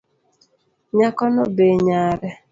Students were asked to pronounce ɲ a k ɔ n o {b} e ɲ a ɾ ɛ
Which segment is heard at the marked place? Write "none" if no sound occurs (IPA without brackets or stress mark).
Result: b